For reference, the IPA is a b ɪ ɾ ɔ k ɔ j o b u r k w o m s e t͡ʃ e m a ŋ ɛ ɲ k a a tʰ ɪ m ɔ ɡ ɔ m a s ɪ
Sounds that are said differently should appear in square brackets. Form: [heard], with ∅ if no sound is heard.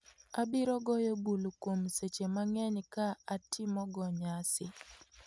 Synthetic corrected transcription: a b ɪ ɾ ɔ [ɡ] ɔ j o b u [l] k w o m s e t͡ʃ e m a ŋ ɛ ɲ k a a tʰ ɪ m ɔ ɡ ɔ [ɲ] a s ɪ